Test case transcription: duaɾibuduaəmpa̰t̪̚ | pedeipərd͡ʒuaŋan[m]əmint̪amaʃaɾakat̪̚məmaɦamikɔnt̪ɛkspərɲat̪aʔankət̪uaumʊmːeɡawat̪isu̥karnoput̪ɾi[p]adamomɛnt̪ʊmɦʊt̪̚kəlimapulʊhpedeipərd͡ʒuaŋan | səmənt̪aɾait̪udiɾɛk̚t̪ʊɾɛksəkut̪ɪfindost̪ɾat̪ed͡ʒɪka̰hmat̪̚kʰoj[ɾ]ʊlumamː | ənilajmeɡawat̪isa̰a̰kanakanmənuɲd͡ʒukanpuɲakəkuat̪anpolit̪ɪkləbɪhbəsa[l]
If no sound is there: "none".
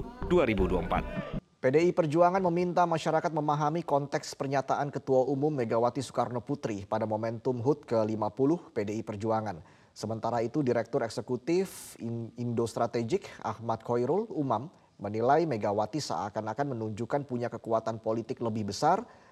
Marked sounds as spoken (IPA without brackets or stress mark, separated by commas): m, p, ɾ, r